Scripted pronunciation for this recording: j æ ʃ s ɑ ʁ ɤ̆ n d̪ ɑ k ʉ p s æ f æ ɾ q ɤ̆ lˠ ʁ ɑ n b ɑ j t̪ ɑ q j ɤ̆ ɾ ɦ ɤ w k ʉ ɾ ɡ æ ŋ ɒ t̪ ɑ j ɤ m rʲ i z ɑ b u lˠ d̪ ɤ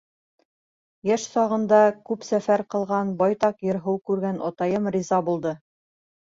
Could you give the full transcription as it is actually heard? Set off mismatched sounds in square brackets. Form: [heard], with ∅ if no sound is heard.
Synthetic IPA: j æ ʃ s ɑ ʁ ɤ̆ n d̪ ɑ k ʉ p s æ f æ ɾ q ɤ̆ lˠ ʁ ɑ n b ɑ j t̪ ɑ q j ɤ̆ ɾ ɦ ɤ w k ʉ ɾ ɡ æ [n] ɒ t̪ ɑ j ɤ m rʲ i z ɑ b u lˠ d̪ ɤ